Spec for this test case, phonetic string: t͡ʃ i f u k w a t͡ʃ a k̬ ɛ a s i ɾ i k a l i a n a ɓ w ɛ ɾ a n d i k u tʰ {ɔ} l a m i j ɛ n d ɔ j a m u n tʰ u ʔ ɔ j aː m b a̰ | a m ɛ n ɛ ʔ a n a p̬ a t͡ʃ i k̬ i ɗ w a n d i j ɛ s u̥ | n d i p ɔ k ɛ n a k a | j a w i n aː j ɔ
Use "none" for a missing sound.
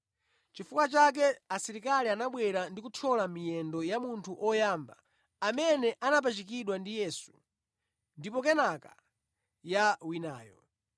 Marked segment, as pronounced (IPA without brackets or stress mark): ɔ